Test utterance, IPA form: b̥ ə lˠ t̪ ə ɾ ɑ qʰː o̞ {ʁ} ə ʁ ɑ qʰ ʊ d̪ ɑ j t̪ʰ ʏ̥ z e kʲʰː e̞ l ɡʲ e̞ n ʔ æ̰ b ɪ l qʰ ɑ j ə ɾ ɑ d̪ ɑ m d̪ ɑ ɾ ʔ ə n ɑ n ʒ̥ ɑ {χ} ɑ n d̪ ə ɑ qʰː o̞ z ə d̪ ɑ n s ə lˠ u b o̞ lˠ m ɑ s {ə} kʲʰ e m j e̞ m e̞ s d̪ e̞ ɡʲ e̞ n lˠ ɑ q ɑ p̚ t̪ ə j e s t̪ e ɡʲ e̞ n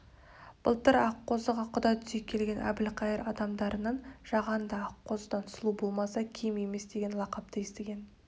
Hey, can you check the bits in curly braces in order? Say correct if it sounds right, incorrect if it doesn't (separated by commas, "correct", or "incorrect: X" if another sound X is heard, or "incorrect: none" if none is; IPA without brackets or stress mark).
incorrect: z, incorrect: ʁ, incorrect: ɑ